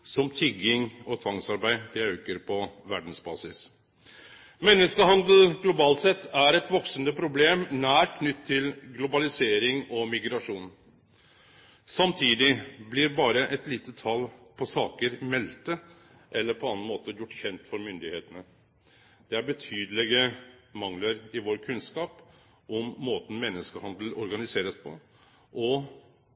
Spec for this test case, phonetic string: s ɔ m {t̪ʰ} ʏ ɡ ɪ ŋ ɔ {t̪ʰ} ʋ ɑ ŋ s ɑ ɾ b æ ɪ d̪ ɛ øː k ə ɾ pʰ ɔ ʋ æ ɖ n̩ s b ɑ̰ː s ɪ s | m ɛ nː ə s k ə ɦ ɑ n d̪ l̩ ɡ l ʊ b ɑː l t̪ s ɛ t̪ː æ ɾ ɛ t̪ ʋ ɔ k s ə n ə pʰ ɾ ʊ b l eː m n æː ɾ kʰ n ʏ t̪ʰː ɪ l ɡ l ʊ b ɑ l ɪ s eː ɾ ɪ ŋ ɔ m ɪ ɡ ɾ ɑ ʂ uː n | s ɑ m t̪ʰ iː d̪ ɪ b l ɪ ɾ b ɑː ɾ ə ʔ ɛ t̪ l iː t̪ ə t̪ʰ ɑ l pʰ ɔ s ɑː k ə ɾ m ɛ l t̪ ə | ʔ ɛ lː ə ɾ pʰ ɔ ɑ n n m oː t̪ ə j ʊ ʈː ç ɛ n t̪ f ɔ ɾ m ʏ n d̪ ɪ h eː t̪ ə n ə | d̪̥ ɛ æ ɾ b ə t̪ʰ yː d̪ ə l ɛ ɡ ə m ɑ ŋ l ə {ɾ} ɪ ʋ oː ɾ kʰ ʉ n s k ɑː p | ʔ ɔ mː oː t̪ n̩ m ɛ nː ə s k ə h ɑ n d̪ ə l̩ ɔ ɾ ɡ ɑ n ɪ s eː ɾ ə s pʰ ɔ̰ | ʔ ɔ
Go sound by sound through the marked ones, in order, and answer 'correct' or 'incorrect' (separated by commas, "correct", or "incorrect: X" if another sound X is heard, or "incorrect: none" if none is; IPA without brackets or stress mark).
correct, correct, correct